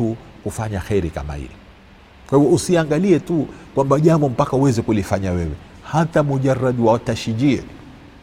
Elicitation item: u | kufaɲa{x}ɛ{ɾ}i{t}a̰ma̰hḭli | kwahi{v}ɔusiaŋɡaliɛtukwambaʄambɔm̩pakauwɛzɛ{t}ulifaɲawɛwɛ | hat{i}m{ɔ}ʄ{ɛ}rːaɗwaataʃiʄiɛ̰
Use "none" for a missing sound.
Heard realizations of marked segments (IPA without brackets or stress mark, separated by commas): x, ɾ, k, v, k, a, u, a